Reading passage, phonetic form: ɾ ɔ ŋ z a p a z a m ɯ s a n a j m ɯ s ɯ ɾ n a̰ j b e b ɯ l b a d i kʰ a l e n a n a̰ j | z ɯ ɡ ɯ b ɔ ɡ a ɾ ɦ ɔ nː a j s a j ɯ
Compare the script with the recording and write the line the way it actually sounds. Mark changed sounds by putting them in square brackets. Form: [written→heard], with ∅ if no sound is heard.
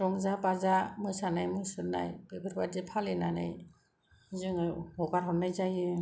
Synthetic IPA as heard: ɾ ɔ ŋ z a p a z a m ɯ s a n a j m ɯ s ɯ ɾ n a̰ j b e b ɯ [l→ɾ] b a d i [kʰ→pʰ] a l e n a n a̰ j | z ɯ [ɡ→ŋ] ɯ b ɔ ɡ a ɾ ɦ ɔ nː a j [s→z] a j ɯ